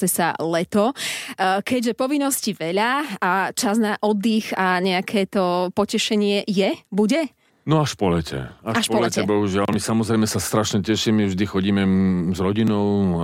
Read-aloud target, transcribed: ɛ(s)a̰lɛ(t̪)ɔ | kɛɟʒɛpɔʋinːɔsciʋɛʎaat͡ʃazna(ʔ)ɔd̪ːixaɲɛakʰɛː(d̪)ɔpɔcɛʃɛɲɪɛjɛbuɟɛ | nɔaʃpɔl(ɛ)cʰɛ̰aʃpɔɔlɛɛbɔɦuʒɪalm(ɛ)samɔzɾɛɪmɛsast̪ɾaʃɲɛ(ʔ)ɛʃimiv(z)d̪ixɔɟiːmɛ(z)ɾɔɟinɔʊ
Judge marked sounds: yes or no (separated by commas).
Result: yes, yes, yes, no, yes, no, no, no, yes